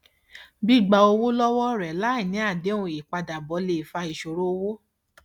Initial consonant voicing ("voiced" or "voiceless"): voiced